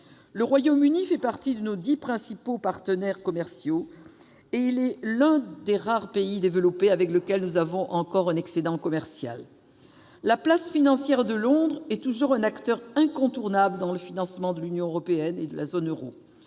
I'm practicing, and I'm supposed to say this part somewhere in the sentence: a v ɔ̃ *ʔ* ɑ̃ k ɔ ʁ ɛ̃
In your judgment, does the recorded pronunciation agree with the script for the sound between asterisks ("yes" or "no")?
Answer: yes